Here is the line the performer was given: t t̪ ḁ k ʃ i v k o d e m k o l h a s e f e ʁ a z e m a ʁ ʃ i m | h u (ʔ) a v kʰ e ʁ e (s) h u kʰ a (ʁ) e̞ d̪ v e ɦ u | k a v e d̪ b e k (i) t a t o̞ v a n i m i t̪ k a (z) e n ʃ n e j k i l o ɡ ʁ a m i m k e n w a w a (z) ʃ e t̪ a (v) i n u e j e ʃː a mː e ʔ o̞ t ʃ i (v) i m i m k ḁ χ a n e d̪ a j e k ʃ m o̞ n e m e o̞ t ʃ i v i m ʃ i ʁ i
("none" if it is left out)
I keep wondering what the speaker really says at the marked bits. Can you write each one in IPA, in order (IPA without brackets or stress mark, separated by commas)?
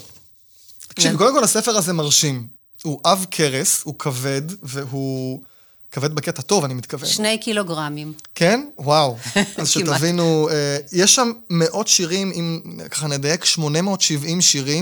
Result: ʔ, s, v, e, v, z, v, ʁ